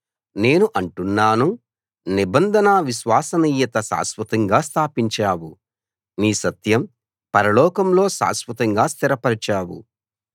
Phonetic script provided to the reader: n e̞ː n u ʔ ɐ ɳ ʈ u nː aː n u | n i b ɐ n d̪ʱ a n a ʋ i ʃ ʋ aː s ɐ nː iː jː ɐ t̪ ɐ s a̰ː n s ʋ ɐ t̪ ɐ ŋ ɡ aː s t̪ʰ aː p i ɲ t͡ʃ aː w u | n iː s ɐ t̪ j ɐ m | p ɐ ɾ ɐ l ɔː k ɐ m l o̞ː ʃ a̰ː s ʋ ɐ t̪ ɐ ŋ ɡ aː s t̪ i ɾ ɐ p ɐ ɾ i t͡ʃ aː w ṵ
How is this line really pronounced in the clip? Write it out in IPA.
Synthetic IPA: n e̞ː n u ʔ ɐ ɳ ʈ u nː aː n u | n i b ɐ n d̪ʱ ɐ n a ʋ i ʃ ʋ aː s ɐ n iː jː ɐ t̪ ɐ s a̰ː s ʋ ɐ t̪ ɐ ŋ ɡ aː s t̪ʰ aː p i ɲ t͡ʃ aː w u | n iː s ɐ t̪ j ɐ m | p ɐ ɾ ɐ l ɔː k ɐ m l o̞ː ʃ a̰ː s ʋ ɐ t̪ ɐ ŋ ɡ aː s t̪ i ɾ ɐ p ɐ ɾ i t͡ʃ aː w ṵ